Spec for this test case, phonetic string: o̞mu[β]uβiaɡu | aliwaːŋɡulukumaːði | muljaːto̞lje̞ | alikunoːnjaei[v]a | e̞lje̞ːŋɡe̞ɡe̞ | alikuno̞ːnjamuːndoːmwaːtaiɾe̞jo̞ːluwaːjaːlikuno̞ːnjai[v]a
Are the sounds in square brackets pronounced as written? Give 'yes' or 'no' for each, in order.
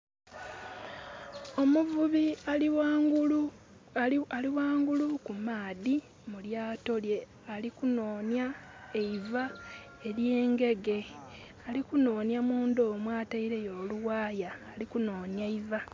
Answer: no, yes, yes

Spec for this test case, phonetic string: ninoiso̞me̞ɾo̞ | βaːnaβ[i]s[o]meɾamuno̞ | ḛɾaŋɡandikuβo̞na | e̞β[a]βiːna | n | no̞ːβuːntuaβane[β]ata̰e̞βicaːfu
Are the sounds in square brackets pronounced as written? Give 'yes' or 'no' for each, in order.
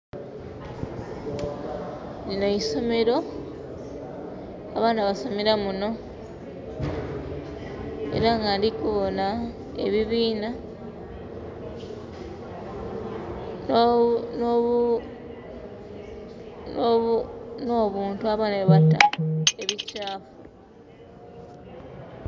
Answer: no, yes, no, yes

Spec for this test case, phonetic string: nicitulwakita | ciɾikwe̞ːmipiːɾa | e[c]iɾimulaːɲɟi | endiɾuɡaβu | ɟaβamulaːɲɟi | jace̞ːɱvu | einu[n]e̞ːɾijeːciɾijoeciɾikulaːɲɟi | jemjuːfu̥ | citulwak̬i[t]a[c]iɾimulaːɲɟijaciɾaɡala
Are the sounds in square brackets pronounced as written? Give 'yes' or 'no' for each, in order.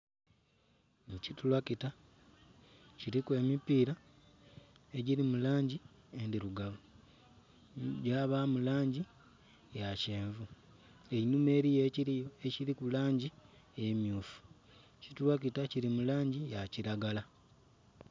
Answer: no, no, yes, yes

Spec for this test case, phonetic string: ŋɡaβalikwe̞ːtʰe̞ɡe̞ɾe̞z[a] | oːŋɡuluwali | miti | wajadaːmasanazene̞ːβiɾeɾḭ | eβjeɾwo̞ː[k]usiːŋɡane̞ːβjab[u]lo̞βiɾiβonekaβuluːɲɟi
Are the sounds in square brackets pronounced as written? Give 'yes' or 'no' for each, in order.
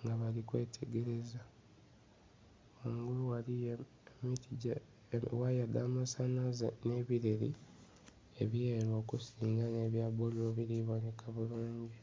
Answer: yes, yes, no

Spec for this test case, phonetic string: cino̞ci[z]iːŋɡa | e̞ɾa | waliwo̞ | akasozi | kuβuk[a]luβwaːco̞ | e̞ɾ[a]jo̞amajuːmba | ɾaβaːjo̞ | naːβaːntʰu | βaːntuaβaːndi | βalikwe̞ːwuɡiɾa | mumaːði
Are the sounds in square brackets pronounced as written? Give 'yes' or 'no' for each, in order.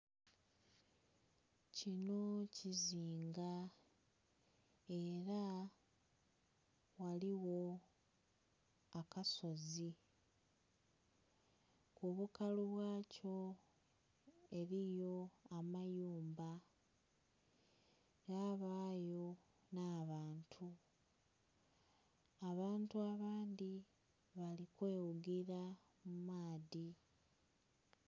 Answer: yes, yes, no

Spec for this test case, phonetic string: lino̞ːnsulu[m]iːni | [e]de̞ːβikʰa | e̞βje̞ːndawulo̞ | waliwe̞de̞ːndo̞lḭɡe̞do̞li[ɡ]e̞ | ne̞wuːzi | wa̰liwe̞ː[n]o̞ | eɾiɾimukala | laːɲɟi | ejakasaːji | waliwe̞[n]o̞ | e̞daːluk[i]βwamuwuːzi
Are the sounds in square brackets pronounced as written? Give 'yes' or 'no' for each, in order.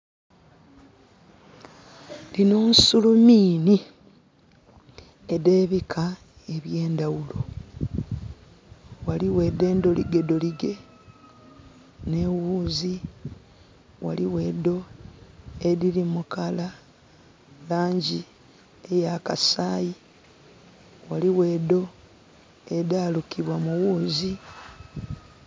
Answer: yes, yes, yes, no, no, yes

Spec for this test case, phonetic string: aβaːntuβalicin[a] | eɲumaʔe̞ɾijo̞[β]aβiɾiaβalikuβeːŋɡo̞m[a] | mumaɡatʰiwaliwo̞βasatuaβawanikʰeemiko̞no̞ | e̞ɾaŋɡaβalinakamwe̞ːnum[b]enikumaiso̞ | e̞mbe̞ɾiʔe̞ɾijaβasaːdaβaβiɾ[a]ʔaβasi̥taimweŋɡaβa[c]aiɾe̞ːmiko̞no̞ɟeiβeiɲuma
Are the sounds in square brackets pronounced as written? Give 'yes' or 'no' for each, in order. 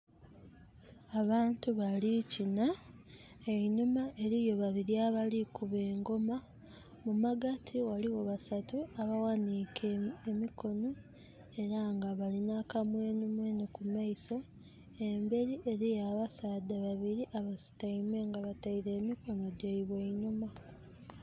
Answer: yes, yes, yes, no, no, no

